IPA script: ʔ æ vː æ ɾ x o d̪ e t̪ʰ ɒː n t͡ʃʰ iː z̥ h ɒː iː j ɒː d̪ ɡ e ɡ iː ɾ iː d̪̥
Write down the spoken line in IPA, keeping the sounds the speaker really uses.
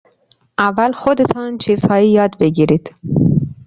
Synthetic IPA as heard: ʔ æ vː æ l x o d̪ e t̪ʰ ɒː n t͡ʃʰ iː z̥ h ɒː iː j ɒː d̪ b e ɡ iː ɾ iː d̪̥